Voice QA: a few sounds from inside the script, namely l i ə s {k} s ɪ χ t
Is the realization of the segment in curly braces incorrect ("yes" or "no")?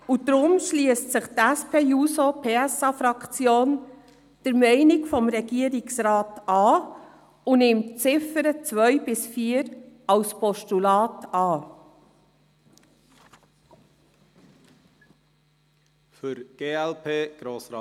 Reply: yes